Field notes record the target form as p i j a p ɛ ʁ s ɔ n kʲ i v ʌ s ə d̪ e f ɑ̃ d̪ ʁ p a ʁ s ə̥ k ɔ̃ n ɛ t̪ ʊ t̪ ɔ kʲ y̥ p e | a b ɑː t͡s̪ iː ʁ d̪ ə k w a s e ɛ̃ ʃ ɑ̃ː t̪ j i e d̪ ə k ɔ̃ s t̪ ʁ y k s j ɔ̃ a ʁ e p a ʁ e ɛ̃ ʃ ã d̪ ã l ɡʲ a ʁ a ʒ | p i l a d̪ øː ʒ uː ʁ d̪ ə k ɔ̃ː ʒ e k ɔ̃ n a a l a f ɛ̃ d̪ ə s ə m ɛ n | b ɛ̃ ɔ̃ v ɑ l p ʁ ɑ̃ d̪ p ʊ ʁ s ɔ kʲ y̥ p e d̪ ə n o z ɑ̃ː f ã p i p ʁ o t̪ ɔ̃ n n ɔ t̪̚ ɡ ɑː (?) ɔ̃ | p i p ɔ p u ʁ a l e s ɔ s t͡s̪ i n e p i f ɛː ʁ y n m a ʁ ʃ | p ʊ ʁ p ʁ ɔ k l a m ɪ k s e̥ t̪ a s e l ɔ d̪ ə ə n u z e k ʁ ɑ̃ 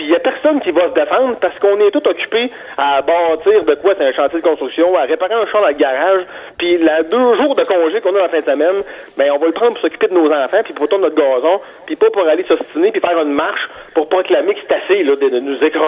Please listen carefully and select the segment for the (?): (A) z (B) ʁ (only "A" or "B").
A